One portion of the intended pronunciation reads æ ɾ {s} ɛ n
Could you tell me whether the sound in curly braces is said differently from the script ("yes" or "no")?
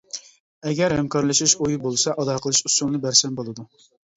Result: no